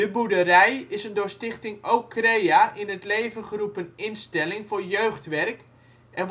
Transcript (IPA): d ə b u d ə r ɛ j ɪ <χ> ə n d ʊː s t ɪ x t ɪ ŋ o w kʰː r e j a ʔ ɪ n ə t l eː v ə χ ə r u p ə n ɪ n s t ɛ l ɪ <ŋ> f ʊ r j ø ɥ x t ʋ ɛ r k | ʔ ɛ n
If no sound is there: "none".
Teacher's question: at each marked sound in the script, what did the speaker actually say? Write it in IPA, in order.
s, ŋ

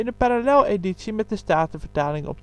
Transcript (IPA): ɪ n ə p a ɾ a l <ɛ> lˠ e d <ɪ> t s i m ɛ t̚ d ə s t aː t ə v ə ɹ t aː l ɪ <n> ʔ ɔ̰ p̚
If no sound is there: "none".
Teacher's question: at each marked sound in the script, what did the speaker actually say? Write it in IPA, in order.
ɛ, i, ŋ

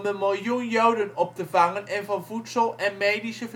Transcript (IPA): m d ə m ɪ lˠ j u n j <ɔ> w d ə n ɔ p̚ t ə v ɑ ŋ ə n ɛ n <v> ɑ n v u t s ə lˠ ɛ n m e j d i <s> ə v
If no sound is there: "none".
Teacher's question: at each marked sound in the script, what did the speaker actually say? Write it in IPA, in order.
o, v, s

